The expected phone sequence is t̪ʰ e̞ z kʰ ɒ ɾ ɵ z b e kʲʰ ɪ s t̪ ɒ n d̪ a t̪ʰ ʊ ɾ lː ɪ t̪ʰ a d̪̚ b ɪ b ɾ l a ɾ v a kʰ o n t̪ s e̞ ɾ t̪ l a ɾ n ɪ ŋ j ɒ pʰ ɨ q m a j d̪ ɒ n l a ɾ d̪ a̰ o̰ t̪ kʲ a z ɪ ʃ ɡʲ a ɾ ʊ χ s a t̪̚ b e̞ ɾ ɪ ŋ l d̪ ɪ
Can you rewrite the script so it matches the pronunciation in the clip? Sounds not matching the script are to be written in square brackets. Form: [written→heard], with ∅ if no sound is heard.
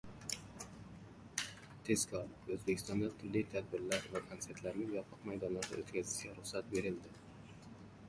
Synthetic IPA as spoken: t̪ʰ e̞ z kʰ ɒ ɾ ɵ z b e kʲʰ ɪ s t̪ ɒ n d̪ a t̪ʰ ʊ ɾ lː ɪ t̪ʰ a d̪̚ b ɪ [b→∅] ɾ l a ɾ v a kʰ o n t̪ s e̞ ɾ t̪ l a ɾ n ɪ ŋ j ɒ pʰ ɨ q m a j d̪ ɒ n l a ɾ d̪ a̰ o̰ t̪ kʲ a z ɪ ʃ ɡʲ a ɾ ʊ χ s a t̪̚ b e̞ ɾ ɪ [ŋ→∅] l d̪ ɪ